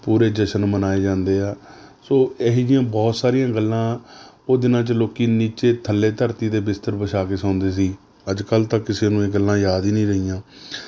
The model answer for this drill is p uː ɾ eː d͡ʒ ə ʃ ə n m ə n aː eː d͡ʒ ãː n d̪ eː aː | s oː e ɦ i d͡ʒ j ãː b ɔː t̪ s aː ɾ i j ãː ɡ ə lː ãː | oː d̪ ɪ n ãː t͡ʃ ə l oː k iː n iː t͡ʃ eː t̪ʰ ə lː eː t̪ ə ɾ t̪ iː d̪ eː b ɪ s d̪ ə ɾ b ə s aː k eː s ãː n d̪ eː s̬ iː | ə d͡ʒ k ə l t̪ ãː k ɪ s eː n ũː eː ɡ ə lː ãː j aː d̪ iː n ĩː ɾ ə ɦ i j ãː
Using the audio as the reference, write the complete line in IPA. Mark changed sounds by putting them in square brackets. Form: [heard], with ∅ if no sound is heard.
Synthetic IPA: p uː ɾ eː d͡ʒ ə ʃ ə n m ə n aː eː d͡ʒ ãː n d̪ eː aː | s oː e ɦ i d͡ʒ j ãː b ɔː t̪ s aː ɾ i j ãː ɡ ə lː ãː | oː d̪ ɪ n ãː t͡ʃ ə l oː k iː n iː t͡ʃ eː t̪ʰ ə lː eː t̪ ə ɾ t̪ iː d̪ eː b ɪ s [t̪] ə ɾ b ə [ʃ] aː k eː s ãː n d̪ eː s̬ iː | ə d͡ʒ k ə l t̪ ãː k ɪ s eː n ũː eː ɡ ə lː ãː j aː d̪ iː n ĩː ɾ ə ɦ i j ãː